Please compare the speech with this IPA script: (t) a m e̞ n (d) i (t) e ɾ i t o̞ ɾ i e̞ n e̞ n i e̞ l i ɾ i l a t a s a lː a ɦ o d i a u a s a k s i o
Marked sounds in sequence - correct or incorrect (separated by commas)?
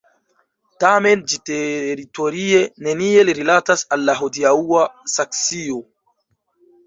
correct, incorrect, correct